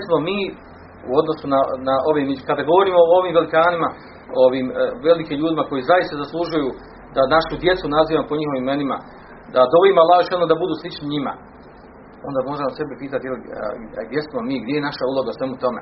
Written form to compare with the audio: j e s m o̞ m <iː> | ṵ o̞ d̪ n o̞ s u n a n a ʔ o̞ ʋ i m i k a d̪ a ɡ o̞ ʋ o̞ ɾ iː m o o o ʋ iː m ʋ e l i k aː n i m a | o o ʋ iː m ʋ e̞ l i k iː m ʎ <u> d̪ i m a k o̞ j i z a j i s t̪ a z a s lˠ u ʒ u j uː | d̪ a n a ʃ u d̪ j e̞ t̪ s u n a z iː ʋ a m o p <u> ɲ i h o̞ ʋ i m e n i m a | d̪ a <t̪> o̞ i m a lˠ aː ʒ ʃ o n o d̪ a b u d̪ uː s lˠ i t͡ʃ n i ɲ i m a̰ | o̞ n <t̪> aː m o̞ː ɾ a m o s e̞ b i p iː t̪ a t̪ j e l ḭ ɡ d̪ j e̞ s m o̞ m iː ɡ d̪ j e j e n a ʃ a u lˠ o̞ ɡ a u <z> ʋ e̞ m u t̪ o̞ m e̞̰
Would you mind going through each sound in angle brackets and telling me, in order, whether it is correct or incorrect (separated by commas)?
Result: correct, incorrect, incorrect, incorrect, incorrect, incorrect